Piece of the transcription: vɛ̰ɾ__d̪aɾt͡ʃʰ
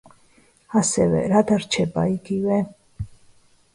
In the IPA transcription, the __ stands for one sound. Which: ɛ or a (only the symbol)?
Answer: a